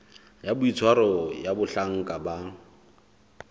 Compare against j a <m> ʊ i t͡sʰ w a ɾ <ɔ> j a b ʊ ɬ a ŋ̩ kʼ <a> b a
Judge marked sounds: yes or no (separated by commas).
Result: no, yes, yes